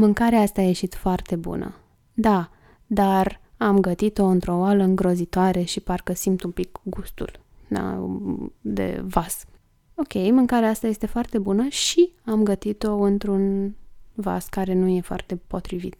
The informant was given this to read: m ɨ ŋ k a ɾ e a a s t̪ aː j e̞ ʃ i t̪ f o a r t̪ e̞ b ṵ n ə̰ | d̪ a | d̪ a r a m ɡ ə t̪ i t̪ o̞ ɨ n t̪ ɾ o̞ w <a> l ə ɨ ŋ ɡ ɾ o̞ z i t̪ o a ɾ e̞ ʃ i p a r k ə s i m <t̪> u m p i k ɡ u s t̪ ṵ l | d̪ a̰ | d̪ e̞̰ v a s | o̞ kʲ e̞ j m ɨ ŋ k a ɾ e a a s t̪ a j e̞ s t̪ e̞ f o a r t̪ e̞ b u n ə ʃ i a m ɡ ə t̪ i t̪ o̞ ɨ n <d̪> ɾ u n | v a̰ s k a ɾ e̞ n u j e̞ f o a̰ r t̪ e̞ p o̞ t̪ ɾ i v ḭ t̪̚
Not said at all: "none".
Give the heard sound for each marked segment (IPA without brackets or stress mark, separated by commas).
a, t̪, t̪